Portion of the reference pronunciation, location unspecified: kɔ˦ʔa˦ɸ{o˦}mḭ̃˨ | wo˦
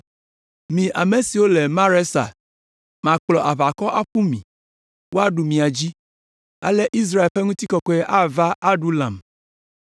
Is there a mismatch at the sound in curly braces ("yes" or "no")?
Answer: yes